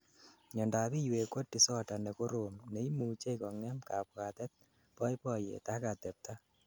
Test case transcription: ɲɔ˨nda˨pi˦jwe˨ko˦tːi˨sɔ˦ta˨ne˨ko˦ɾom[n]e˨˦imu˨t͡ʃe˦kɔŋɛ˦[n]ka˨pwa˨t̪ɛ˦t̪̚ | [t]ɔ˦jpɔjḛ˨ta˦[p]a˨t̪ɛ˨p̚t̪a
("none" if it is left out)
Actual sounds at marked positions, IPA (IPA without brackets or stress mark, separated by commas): n, m, p, k